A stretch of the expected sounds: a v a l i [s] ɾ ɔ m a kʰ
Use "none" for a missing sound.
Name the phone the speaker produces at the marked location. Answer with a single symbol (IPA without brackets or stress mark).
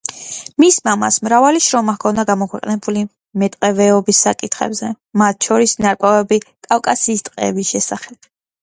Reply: ʃ